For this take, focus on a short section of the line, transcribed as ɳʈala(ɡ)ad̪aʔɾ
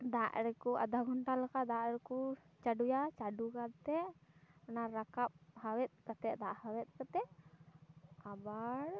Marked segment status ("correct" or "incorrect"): incorrect